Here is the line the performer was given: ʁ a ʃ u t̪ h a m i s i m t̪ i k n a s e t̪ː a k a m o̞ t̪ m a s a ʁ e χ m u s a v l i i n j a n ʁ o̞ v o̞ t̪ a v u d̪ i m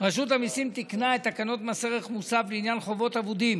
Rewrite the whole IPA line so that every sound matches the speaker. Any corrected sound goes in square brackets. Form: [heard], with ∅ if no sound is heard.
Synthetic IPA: ʁ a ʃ u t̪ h a m i s i m t̪ i k n a [∅] e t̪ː a k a [n] o̞ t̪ m a s [e] ʁ e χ m u s a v l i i n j a n [χ] o̞ v o̞ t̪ a v u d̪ i m